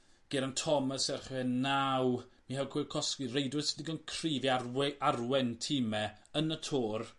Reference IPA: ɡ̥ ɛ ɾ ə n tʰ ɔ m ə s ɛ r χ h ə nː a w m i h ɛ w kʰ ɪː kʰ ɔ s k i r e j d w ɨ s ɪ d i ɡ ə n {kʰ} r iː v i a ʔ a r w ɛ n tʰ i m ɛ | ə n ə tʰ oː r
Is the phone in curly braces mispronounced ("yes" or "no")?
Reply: no